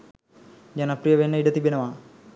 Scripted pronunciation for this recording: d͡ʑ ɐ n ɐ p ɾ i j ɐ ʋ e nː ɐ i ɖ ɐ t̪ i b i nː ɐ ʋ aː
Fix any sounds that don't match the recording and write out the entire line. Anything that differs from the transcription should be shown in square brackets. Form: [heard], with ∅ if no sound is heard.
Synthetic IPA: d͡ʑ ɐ n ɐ p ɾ i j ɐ ʋ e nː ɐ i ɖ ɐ t̪ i b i [n] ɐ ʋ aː